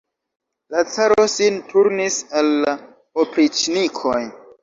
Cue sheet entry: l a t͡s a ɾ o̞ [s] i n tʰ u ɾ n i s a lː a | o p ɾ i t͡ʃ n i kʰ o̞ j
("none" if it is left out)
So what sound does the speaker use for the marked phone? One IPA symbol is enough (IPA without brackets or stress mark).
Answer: s